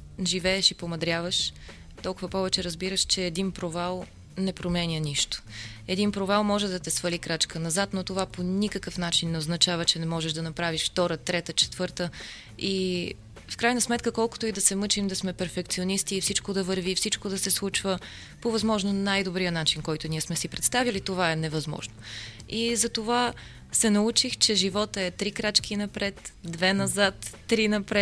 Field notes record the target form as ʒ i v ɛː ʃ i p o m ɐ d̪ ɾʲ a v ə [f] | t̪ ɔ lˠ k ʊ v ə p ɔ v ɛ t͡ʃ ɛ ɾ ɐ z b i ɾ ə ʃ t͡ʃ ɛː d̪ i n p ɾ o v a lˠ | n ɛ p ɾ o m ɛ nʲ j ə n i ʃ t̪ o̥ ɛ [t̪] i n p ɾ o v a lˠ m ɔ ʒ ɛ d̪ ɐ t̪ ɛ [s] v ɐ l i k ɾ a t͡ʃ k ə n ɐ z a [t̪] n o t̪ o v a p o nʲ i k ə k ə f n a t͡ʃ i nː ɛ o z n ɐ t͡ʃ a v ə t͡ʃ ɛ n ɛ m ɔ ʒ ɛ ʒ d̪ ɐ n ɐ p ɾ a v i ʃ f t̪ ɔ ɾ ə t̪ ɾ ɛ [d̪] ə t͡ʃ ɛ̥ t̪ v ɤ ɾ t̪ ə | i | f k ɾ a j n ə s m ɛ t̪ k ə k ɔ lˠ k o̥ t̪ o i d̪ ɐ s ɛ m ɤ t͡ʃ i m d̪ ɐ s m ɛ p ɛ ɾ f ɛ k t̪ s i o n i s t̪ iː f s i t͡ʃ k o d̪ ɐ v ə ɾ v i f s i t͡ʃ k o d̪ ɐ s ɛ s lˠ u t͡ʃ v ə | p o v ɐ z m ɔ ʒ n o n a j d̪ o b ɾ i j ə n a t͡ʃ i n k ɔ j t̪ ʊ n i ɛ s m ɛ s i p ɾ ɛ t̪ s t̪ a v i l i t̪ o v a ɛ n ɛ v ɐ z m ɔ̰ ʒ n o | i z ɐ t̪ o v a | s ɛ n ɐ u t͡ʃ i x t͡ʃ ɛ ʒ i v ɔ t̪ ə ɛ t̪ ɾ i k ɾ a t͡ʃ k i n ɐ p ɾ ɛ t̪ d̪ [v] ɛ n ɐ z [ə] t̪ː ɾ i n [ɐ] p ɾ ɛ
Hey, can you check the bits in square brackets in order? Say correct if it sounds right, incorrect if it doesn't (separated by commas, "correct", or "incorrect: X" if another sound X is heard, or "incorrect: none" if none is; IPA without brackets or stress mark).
incorrect: ʃ, incorrect: d̪, correct, correct, incorrect: t̪, correct, incorrect: a, correct